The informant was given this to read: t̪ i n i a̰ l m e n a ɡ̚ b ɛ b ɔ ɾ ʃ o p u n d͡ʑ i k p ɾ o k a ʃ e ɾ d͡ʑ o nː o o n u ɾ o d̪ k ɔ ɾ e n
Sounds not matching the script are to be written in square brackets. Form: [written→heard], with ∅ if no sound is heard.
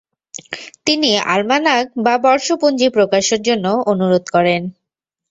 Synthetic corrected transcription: t̪ i n i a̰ l m [e→a] n a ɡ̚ b [ɛ→a] b ɔ ɾ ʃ o p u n d͡ʑ i [k→∅] p ɾ o k a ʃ e ɾ d͡ʑ o nː o o n u ɾ o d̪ k ɔ ɾ e n

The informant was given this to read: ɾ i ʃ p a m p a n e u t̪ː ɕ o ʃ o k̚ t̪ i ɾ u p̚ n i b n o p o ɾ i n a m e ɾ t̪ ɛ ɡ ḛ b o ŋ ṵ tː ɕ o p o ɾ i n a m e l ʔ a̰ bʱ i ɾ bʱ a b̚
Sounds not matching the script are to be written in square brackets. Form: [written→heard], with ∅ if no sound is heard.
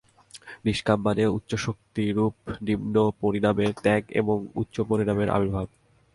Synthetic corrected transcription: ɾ i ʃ [p→k] a m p a n e u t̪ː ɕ o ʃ o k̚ t̪ i ɾ u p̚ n i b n o p o ɾ i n a m e ɾ t̪ ɛ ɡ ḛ b o ŋ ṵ tː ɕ o p o ɾ i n a m e [l→ɾ] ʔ a̰ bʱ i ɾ bʱ a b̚

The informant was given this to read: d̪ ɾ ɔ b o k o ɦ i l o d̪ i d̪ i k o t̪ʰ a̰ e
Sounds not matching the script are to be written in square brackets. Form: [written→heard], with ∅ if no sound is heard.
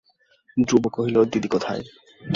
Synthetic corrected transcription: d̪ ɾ [ɔ→u] b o k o ɦ i l o d̪ i d̪ i k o t̪ʰ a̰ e

